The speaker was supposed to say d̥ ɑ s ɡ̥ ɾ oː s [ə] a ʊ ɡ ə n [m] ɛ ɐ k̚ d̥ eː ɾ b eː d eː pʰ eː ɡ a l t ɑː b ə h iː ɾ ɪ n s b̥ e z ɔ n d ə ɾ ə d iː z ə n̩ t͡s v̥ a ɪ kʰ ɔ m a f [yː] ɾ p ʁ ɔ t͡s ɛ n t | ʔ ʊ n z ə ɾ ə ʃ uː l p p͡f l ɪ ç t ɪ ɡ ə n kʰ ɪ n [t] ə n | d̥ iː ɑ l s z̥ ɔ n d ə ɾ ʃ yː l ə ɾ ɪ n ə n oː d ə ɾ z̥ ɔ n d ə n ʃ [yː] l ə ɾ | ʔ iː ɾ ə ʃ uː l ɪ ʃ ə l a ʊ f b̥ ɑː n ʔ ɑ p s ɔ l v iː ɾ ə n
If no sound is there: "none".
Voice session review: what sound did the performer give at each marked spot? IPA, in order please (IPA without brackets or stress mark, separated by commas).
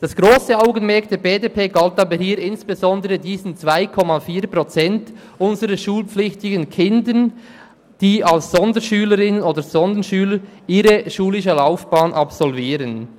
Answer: ə, m, iː, d, yː